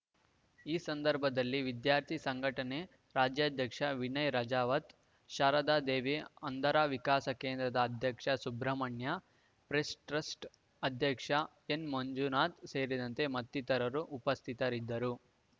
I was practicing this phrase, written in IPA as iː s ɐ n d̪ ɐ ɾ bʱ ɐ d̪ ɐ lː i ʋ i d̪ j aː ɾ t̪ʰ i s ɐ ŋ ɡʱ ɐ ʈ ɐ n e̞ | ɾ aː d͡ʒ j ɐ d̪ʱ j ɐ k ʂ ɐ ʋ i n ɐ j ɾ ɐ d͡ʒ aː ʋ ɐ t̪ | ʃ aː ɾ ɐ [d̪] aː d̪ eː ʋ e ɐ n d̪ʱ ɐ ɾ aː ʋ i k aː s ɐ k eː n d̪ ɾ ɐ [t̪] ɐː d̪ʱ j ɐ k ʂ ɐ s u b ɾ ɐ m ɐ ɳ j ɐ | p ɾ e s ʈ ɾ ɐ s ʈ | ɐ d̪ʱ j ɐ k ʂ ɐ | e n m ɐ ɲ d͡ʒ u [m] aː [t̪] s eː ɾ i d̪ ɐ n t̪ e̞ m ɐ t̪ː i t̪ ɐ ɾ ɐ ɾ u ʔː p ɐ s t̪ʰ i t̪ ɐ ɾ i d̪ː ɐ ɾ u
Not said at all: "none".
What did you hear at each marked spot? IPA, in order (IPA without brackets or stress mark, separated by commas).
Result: d̪, d̪, n, t̪